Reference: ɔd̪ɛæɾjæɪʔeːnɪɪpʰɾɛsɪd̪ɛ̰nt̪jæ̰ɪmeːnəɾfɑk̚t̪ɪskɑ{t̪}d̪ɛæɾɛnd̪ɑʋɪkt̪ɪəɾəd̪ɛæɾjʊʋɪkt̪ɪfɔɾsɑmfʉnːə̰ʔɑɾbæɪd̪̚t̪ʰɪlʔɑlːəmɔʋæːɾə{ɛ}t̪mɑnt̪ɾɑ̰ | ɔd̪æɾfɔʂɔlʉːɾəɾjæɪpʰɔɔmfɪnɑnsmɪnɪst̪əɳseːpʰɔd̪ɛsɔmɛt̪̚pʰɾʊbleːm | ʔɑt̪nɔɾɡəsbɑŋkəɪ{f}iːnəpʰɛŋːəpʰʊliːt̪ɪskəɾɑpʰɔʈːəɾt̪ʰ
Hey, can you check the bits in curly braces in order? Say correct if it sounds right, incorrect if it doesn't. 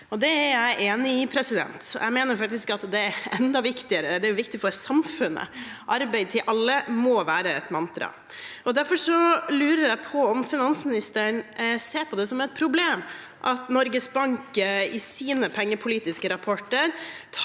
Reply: correct, correct, incorrect

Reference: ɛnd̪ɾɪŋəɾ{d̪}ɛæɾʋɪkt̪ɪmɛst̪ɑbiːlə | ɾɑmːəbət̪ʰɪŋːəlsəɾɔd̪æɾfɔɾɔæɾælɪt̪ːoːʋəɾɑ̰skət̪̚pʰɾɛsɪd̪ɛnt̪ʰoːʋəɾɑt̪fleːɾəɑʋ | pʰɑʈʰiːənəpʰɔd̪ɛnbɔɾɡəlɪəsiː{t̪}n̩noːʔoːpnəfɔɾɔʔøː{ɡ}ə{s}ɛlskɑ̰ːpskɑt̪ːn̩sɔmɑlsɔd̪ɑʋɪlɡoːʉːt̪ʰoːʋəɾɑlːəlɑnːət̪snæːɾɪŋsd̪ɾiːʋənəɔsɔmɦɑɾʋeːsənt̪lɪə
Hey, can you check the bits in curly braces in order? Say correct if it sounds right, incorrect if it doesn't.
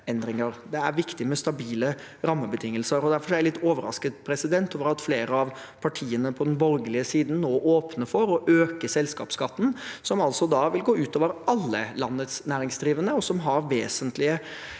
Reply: correct, incorrect, incorrect, correct

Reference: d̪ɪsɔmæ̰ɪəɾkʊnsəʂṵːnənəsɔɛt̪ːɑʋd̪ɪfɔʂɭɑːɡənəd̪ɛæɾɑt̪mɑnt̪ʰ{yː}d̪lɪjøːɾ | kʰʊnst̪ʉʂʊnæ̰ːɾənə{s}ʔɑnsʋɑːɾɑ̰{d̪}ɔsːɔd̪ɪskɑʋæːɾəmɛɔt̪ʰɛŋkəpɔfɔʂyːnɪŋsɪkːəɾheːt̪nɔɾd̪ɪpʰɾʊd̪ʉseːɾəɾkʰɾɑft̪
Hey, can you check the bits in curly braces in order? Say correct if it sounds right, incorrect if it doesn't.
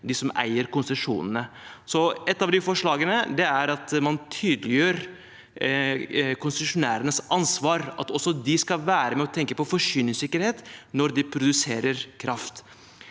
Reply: correct, correct, incorrect

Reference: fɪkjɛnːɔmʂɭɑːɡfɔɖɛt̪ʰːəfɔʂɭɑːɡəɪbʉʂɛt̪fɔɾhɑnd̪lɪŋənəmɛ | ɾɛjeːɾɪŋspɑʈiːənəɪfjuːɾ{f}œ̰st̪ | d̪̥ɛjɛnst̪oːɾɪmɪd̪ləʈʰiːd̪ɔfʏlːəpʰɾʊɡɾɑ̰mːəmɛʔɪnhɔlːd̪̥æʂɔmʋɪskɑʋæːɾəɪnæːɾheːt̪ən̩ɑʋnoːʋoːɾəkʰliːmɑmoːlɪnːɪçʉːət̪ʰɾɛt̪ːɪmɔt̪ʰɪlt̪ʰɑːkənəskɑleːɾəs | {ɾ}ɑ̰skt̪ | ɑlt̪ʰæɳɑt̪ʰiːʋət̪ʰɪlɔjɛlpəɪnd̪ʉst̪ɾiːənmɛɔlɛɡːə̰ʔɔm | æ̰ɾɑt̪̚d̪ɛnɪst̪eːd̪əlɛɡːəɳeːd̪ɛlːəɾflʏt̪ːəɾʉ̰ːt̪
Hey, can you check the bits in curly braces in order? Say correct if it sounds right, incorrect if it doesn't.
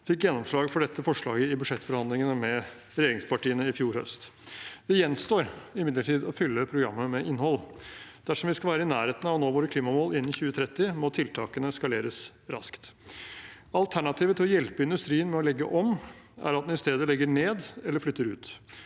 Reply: incorrect, correct

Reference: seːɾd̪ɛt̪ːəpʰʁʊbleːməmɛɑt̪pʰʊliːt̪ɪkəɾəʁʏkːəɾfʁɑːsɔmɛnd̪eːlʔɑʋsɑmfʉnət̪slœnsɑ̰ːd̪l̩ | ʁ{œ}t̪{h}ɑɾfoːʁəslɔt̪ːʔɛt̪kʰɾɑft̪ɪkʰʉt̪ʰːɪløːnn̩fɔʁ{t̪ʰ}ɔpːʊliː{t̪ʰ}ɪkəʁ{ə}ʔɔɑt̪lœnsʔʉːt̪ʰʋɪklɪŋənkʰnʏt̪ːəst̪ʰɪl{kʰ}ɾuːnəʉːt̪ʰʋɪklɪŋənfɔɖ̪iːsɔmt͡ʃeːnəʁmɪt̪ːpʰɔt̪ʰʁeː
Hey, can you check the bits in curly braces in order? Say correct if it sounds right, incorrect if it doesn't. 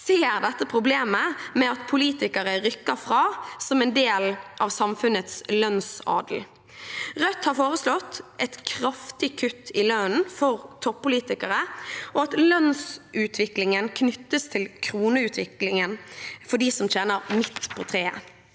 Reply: correct, correct, correct, incorrect, correct, correct

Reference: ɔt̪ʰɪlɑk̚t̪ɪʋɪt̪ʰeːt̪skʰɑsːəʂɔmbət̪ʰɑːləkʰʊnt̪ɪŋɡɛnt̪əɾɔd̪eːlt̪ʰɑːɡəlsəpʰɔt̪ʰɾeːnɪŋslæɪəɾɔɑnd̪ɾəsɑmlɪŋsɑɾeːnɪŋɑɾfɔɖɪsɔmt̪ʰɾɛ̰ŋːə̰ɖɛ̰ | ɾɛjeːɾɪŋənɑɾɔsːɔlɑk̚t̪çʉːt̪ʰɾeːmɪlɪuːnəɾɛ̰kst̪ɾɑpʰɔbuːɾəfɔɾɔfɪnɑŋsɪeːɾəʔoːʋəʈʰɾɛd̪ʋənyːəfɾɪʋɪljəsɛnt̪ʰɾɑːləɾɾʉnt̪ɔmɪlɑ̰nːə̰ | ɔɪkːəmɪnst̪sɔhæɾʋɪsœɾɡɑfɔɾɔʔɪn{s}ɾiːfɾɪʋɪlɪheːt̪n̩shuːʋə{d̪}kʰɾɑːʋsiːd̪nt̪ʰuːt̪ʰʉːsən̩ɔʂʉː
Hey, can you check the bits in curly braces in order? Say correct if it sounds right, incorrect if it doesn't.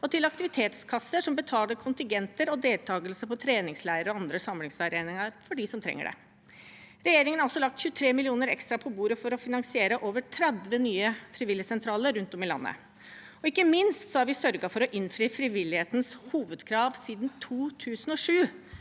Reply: incorrect, correct

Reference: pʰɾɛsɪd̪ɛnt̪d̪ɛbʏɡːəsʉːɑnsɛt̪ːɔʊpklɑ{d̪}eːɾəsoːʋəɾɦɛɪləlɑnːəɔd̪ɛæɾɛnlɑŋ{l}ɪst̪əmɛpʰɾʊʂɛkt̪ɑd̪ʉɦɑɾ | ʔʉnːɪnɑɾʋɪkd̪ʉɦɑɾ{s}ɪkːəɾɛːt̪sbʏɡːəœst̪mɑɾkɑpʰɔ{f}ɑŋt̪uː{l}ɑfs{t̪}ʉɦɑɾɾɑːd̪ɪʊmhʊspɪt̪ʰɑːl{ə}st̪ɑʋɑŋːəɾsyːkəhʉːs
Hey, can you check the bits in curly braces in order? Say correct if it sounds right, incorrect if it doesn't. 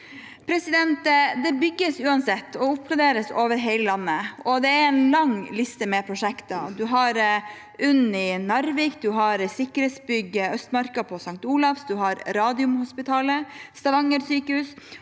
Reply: correct, correct, correct, incorrect, correct, incorrect, correct

